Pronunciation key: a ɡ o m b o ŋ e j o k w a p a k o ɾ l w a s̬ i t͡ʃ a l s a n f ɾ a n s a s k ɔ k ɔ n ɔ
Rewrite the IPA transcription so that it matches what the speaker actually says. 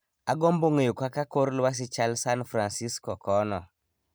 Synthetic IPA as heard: a ɡ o m b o ŋ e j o k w a k a k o ɾ l w a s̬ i t͡ʃ a l s a n f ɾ a n s i s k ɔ k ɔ n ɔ